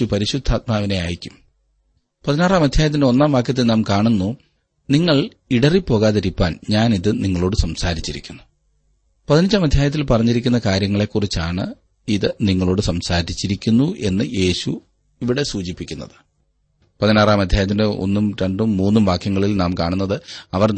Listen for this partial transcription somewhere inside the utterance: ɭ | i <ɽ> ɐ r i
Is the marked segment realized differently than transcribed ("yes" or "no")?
no